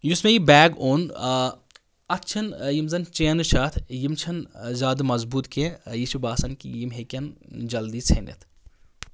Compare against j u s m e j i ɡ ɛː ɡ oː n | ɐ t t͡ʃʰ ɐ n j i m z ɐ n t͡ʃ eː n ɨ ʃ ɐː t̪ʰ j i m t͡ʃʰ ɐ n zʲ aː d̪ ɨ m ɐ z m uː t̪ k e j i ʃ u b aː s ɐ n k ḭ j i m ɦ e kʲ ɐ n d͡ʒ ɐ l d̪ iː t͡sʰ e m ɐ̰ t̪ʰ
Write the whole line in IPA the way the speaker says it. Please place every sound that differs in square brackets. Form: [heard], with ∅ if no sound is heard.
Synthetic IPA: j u s m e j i [b] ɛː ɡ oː n | ɐ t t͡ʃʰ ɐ n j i m z ɐ n t͡ʃ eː n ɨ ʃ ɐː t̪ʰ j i m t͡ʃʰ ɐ n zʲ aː d̪ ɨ m ɐ z [b] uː t̪ k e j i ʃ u b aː s ɐ n k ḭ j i m ɦ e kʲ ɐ n d͡ʒ ɐ l d̪ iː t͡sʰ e [n] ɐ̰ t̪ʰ

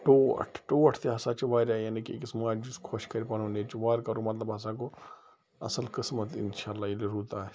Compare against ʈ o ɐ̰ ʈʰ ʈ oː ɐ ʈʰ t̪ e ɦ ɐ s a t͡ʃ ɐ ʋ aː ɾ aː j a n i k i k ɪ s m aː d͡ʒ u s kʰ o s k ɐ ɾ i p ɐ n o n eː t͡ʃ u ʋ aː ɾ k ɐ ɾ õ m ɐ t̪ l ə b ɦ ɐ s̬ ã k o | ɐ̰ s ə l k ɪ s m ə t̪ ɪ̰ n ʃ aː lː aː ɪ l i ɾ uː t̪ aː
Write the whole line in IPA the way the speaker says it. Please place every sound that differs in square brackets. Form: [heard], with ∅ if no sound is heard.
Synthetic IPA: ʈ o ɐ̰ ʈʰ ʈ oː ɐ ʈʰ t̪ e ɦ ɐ s a t͡ʃ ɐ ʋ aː ɾ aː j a n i k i k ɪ s m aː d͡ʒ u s kʰ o [ʃ] k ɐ ɾ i p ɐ n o n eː t͡ʃ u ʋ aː ɾ k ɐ ɾ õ m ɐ t̪ l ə b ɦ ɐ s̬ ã k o | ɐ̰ s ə l k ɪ s m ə t̪ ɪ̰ n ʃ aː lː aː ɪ l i ɾ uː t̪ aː

